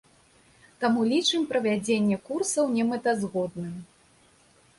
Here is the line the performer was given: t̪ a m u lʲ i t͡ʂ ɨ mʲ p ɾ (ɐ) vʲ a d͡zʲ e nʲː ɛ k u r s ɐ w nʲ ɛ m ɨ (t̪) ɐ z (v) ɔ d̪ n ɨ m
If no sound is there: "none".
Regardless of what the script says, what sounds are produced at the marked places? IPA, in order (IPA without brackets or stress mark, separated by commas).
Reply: ɐ, t̪, ɣ